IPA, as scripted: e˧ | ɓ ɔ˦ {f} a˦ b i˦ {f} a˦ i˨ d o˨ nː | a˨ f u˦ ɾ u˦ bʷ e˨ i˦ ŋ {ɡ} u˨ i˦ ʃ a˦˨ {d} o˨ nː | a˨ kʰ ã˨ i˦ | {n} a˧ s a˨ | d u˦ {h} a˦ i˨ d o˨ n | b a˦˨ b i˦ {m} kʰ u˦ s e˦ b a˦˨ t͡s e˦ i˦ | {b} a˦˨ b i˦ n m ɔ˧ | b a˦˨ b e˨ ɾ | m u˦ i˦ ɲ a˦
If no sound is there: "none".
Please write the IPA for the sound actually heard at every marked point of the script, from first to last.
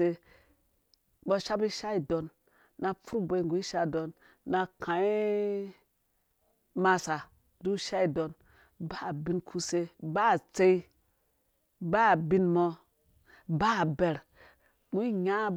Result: ʃ, ʃ, ɡ, d, m, ʃ, n, b

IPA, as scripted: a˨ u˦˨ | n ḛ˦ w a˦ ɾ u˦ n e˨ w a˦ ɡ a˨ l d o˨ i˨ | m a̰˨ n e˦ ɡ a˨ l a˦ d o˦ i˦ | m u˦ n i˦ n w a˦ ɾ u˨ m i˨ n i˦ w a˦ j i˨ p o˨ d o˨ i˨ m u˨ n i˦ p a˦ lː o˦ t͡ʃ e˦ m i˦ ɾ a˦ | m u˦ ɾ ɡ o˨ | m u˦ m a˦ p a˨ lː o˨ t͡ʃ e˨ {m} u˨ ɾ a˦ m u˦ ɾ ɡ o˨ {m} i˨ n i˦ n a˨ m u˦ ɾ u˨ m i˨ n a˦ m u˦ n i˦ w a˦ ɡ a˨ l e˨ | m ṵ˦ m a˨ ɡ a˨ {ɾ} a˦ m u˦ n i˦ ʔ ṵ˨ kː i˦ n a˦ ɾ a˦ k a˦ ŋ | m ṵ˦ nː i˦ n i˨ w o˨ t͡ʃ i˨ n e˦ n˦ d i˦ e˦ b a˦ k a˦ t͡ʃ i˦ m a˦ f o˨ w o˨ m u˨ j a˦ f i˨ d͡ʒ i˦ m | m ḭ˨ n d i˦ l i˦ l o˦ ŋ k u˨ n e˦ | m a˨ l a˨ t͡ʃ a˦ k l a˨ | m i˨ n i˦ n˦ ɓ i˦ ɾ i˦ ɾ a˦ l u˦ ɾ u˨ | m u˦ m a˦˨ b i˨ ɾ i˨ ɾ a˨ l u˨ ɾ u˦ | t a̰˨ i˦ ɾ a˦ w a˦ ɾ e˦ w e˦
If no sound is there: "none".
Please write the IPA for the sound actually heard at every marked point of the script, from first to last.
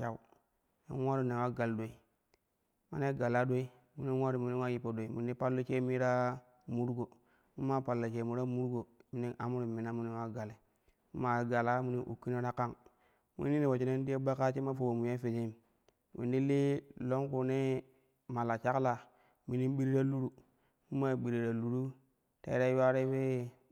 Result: m, m, l

